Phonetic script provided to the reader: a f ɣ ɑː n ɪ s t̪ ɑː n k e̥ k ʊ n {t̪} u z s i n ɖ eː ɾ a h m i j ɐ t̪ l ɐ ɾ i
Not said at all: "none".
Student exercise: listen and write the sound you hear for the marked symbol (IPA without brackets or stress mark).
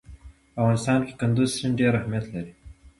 d̪